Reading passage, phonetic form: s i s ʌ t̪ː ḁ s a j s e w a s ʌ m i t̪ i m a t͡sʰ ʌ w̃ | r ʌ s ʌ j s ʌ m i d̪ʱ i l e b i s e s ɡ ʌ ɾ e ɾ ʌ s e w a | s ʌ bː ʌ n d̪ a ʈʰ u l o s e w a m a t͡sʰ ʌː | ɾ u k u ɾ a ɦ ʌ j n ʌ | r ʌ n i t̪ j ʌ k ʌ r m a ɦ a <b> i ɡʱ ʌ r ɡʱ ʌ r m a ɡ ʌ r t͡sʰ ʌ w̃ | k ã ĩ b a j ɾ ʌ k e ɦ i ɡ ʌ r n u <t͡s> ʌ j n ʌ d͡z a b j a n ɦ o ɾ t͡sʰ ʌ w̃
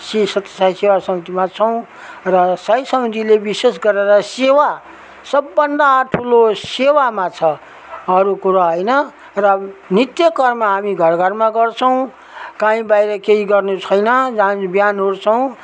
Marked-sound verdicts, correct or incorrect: incorrect: m, incorrect: t͡sʰ

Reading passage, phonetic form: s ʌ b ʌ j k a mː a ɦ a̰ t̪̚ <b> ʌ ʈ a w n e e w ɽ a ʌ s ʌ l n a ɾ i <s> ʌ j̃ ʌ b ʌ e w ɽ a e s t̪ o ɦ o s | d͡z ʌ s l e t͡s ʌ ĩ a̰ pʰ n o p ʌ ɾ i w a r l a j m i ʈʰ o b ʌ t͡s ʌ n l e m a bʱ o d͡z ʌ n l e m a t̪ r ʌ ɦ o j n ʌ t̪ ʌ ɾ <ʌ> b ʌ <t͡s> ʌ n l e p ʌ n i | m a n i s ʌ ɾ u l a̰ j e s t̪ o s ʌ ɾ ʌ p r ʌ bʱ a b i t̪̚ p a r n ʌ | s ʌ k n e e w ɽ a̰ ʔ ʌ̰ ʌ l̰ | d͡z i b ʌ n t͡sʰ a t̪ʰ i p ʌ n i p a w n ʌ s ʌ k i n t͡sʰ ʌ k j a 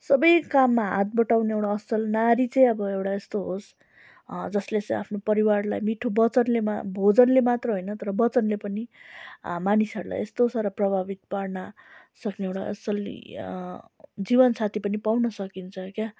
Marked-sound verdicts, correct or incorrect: correct, incorrect: t͡s, correct, correct

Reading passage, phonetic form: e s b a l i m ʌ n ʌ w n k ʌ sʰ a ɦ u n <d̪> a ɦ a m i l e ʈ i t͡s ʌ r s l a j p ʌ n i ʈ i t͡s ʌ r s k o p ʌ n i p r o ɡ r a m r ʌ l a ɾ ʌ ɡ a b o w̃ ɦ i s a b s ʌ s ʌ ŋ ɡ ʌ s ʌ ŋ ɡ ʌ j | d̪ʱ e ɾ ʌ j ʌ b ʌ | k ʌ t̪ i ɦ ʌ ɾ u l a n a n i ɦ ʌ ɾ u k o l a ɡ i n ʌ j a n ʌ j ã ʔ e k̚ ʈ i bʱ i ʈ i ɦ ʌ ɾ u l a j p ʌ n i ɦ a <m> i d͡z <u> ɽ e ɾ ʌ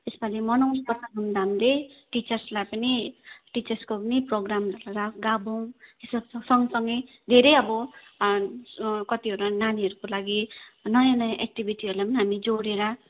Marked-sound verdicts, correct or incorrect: correct, correct, incorrect: o

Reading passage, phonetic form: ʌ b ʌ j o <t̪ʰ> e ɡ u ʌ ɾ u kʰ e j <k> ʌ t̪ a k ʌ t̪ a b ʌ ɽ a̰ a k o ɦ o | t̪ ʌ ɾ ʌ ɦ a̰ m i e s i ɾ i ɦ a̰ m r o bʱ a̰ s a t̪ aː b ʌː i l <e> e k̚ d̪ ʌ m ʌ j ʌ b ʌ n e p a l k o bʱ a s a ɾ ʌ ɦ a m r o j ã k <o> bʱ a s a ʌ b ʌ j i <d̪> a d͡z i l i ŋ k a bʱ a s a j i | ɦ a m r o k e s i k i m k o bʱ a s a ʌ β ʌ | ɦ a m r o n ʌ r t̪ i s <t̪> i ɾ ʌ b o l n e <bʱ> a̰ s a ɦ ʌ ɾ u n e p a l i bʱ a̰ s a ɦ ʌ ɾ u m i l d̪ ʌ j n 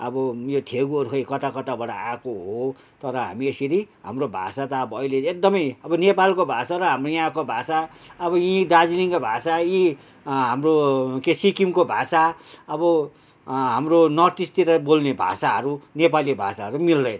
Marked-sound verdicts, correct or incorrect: correct, correct, correct, correct, correct, correct, correct

